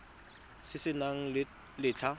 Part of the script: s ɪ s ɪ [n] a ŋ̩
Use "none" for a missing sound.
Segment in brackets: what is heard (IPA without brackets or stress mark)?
n